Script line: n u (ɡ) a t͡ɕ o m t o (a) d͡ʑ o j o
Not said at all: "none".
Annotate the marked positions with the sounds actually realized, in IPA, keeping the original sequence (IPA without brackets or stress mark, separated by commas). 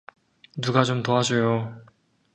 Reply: ɡ, a